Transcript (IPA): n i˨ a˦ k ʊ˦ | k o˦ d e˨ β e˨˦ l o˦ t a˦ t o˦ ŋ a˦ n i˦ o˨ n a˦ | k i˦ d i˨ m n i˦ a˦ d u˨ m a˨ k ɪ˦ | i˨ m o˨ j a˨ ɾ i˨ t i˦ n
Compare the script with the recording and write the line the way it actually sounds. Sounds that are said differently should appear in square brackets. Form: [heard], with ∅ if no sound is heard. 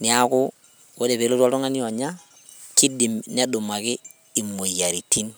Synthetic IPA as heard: n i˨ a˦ k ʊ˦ | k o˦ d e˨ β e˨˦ l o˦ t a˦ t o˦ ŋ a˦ n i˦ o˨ [ɲ] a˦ | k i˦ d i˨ m n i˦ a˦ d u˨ m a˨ k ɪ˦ | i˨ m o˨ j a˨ ɾ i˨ t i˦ n